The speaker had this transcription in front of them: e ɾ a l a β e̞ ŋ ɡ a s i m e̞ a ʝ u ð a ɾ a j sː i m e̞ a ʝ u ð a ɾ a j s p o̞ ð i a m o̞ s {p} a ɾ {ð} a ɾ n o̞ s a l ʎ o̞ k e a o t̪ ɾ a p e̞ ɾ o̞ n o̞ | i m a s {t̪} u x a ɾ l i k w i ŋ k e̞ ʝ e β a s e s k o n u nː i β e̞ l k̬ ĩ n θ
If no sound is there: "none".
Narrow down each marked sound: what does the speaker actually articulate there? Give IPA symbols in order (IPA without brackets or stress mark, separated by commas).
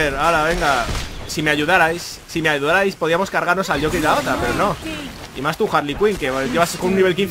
k, ɣ, t̪